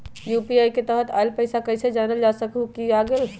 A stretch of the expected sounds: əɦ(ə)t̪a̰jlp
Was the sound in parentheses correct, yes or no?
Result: yes